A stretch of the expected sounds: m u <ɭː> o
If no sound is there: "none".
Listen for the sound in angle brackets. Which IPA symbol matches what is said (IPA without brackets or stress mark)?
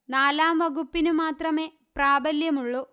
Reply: ɭː